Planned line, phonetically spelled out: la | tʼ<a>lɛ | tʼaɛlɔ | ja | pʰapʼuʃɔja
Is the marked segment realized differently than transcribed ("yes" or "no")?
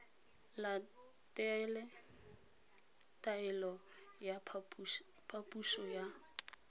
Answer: yes